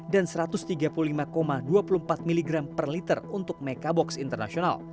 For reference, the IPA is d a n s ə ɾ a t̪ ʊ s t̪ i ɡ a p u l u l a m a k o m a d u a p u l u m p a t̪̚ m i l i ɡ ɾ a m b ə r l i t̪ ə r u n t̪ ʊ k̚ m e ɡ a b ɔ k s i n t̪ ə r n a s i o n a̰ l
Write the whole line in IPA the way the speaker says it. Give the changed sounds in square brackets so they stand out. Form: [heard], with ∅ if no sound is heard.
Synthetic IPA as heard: d a n s ə ɾ a t̪ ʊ s t̪ i ɡ a p u l u l [i] m a k o m a d u a p u l u m p a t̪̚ m i l i ɡ ɾ a m [p] ə r l i t̪ ə r u n t̪ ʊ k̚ m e [k] a b ɔ k s i n t̪ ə r n a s i o n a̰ l